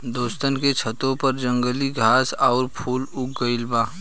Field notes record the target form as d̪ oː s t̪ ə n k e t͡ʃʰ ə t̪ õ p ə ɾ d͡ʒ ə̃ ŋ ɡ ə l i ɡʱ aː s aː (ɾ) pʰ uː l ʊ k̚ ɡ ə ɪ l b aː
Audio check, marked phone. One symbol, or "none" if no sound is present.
ɾ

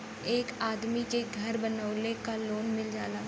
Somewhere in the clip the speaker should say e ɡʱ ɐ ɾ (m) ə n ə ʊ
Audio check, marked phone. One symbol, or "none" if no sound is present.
b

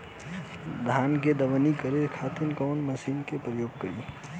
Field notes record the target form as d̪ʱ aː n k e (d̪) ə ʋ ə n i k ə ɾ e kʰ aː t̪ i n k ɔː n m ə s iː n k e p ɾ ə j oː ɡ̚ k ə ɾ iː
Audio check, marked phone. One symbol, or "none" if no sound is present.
d̪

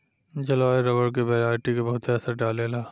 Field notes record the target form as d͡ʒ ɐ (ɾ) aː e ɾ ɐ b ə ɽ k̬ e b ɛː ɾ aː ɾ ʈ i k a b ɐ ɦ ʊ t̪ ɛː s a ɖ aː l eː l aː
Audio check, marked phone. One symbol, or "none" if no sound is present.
l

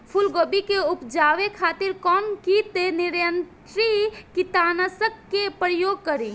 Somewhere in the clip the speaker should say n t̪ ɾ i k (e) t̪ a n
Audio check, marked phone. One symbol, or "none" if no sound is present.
i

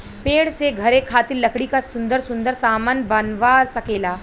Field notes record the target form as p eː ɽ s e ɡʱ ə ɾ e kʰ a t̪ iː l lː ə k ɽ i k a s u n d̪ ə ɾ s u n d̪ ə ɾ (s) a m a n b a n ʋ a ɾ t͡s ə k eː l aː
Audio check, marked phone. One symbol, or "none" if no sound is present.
s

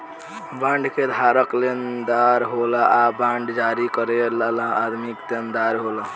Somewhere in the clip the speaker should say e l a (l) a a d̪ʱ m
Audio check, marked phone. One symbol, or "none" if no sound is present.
l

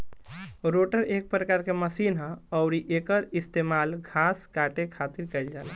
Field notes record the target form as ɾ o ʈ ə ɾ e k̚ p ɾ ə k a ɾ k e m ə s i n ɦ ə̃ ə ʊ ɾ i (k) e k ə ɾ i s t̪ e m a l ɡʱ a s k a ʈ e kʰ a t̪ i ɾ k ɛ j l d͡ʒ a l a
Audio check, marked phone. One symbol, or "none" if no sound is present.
ʔ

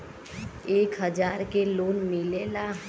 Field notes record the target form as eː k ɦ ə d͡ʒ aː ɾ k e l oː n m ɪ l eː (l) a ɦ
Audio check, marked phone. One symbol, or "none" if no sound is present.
l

